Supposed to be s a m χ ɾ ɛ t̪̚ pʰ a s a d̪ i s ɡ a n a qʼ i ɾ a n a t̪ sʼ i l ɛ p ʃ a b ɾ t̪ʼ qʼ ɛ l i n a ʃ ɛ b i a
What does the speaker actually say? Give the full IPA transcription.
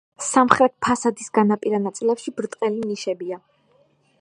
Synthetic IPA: s a m χ ɾ ɛ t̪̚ pʰ a s a d̪ i s ɡ a n a pʼ i ɾ a n a t̪ sʼ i l ɛ p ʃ i b ɾ t̪ʼ qʼ ɛ l i n i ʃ ɛ b i a